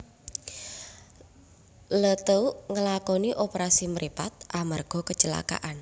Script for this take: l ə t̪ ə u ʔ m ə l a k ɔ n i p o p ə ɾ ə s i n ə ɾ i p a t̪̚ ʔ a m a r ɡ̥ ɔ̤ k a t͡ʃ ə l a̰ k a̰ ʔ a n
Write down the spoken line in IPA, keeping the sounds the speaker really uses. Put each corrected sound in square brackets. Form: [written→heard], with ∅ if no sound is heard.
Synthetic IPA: l ə t̪ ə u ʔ [m→ŋ] ə l a k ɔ n i [p→ʔ] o p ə ɾ [ə→a] s i [n→m] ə ɾ i p a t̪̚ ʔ a m a r ɡ̥ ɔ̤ k [a→ə] t͡ʃ ə l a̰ k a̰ ʔ a n